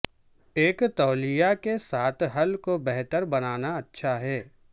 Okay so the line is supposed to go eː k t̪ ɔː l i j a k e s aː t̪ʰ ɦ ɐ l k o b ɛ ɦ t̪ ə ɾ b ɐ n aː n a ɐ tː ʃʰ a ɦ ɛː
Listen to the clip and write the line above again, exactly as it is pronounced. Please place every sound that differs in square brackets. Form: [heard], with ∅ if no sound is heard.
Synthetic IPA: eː k t̪ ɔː l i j a k e s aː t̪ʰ ɦ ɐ l k o b ɛ ɦ t̪ ə ɾ b ɐ n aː n a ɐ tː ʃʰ a ɦ ɛː